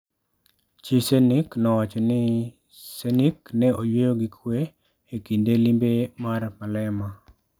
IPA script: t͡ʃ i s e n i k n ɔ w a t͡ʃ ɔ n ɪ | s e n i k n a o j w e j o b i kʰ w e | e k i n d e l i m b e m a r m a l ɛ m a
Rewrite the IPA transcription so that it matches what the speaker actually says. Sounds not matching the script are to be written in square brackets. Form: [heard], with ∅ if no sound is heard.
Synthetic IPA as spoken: t͡ʃ i s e n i k n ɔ w a t͡ʃ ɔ n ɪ | s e n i k n [ɛ] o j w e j o [ɡ] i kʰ w e | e k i n d e l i m b e m a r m a l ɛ m a

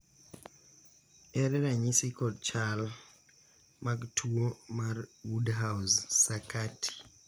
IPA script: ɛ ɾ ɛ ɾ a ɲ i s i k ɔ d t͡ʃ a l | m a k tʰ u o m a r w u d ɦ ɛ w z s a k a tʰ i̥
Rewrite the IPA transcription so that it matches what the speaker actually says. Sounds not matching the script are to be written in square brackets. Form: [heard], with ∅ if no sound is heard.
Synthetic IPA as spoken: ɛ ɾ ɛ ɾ a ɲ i s i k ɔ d t͡ʃ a l | m a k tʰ u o m a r w u d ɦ [a] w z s a k a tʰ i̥

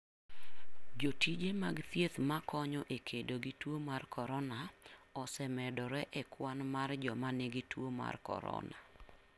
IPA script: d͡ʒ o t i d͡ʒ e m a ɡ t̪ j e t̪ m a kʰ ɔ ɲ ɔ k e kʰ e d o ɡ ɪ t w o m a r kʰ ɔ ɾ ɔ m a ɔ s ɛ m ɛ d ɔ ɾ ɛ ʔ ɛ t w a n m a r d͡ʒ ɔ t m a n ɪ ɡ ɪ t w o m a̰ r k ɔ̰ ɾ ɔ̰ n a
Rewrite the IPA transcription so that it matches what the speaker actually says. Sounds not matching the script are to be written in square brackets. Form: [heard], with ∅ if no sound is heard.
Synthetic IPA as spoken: d͡ʒ o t i d͡ʒ e m a ɡ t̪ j e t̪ m a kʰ ɔ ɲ ɔ [ʔ] e kʰ e d o ɡ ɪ t w o m a r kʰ ɔ ɾ ɔ [n] a ɔ s ɛ m ɛ d ɔ ɾ ɛ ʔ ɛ [k] w a n m a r d͡ʒ ɔ [∅] m a n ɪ ɡ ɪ t w o m a̰ r k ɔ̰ ɾ ɔ̰ n a

